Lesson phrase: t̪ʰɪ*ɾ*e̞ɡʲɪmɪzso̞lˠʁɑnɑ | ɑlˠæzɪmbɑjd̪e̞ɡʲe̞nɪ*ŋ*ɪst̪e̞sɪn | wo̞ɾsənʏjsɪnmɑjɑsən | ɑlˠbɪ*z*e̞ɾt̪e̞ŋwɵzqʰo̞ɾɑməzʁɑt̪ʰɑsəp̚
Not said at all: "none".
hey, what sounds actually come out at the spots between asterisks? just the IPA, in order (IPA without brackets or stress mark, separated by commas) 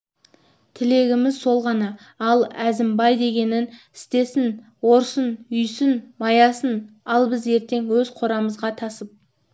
l, n, z